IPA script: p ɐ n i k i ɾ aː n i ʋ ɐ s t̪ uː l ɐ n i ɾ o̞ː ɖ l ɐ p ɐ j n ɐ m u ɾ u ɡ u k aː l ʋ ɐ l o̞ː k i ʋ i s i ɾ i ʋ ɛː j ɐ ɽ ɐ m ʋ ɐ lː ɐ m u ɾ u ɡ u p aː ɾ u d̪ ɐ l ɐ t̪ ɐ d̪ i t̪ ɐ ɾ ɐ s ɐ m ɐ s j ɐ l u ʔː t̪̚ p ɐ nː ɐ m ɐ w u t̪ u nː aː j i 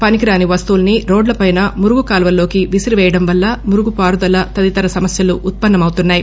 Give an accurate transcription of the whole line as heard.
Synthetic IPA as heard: p ɐ n i k i ɾ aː n i ʋ ɐ s t̪ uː l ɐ n i ɾ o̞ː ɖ l ɐ p ɐ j n ɐ m u ɾ u ɡ u k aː l ʋ ɐ l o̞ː k i ʋ i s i ɾ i ʋ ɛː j ɐ ɽ ɐ m ʋ ɐ lː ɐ m u ɾ u ɡ u p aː ɾ u d̪ ɐ l ɐ t̪ ɐ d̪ i t̪ ɐ ɾ ɐ s ɐ m ɐ s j ɐ l u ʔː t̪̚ p ɐ nː ɐ m ɐ w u t̪ u nː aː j i

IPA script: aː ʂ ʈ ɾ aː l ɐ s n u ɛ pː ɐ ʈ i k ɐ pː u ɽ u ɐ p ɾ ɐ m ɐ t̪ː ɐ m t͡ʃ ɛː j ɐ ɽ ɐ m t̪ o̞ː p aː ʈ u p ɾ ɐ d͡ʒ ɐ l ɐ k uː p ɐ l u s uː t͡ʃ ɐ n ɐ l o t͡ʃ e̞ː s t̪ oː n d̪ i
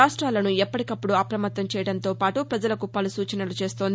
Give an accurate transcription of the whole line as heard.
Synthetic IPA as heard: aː ʂ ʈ ɾ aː l ɐ n u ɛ pː ɐ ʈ i k ɐ pː u ɽ u ɐ p ɾ ɐ m ɐ t̪ː ɐ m t͡ʃ ɛː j ɐ ɽ ɐ n t̪ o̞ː p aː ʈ u p ɾ ɐ d͡ʒ ɐ l ɐ k u p ɐ l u s uː t͡ʃ ɐ n ɐ l u t͡ʃ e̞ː s t̪ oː n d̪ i

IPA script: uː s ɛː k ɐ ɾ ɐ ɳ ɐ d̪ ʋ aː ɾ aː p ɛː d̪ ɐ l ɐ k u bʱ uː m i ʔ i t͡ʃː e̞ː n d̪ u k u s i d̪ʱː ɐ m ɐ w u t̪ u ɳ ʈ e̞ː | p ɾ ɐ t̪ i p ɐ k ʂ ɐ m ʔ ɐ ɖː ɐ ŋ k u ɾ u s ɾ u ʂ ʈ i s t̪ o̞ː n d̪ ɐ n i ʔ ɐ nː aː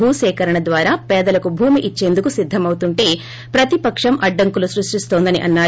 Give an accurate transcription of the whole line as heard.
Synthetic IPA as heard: uː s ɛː k ɐ ɾ ɐ ɳ ɐ d̪ ʋ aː ɾ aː p ɛː d̪ ɐ l ɐ k u bʱ uː m i ʔ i t͡ʃː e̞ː n d̪ u k u s i d̪ʱː ɐ m ɐ w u t̪ u ɳ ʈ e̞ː | p ɾ ɐ t̪ i p ɐ k ʂ ɐ m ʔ ɐ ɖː ɐ ŋ k u l u s ɾ u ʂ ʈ i s t̪ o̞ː n d̪ ɐ n i ʔ ɐ nː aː

